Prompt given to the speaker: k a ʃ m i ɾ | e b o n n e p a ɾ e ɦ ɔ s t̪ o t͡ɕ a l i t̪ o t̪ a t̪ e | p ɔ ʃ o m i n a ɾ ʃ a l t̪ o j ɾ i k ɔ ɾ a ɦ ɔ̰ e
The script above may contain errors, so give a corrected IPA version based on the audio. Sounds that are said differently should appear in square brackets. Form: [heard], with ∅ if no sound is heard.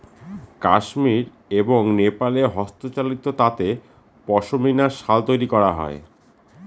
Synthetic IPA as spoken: k a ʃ m i ɾ | e b o [ŋ] n e p a [l] e ɦ ɔ s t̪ o t͡ɕ a l i t̪ o t̪ a t̪ e | p ɔ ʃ o m i n a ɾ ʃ a l t̪ o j ɾ i k ɔ ɾ a ɦ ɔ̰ e